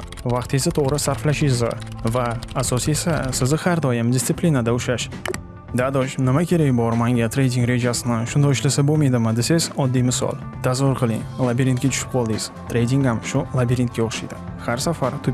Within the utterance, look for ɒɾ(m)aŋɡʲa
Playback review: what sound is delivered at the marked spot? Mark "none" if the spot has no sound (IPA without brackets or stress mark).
m